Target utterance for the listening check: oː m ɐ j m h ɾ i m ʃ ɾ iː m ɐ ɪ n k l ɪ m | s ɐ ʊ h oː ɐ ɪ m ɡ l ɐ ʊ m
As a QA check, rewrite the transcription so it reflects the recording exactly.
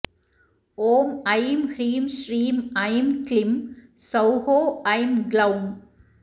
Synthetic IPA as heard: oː m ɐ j m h ɾ iː m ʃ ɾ iː m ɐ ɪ m k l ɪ m | s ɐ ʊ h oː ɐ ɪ m ɡ l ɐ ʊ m